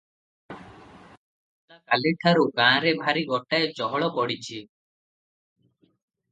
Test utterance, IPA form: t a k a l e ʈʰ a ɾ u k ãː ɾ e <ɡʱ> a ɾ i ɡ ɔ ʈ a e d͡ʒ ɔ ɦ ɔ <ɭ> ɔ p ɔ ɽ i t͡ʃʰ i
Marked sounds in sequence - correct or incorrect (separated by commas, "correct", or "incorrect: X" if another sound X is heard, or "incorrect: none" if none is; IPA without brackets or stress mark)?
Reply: incorrect: bʱ, correct